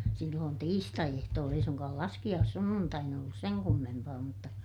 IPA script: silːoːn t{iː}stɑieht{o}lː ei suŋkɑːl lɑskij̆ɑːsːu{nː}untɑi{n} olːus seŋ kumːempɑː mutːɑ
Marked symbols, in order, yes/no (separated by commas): yes, no, yes, yes